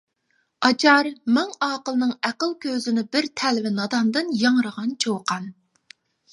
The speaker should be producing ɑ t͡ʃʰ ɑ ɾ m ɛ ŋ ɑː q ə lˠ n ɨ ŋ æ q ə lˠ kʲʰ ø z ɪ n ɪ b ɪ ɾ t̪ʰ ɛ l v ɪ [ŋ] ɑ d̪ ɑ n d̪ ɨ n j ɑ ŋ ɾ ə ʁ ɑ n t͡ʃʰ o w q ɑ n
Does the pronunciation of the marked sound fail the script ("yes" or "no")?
yes